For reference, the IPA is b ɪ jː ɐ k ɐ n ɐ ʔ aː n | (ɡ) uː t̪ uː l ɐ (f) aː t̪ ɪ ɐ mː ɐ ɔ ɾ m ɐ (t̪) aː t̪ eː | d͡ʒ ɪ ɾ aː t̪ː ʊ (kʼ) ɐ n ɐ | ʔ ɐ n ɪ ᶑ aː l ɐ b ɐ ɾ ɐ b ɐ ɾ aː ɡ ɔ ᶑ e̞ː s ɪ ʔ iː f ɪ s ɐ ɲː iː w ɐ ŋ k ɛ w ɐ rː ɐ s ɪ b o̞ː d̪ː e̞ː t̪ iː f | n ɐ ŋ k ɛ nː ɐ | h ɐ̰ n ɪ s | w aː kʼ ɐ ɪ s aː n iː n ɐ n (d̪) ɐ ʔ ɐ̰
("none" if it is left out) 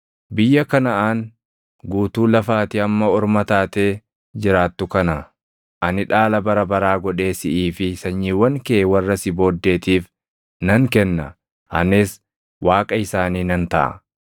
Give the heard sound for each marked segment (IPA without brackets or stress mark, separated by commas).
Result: ɡ, f, t̪, k, t̪